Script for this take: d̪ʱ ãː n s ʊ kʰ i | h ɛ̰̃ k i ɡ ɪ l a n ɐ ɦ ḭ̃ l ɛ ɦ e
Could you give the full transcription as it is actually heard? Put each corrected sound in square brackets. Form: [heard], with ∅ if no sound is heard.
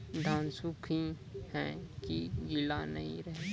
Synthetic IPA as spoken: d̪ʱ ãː n s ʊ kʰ i | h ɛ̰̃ k i ɡ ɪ l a n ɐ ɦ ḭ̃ [ɾ] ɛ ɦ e